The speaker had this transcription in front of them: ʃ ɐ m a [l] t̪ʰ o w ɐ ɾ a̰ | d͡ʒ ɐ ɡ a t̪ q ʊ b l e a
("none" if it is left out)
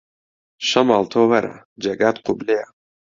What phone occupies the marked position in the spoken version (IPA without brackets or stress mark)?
l